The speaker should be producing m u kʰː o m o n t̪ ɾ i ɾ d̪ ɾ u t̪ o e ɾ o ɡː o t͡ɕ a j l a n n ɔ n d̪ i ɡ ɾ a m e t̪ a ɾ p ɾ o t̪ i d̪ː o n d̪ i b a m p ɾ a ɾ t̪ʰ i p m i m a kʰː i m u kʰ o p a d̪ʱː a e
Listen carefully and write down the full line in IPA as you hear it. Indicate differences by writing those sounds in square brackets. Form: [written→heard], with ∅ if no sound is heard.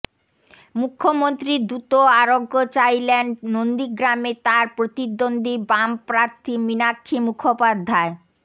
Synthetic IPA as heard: m u kʰː o m o n t̪ ɾ i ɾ d̪ ɾ u t̪ o [e→a] ɾ o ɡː o t͡ɕ a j l [a→e] n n [ɔ→o] n d̪ i ɡ ɾ a m e t̪ a ɾ p ɾ o t̪ i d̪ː o n d̪ i b a m p ɾ a ɾ t̪ʰ i [p→∅] m i [m→n] a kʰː i m u kʰ o p a d̪ʱː a e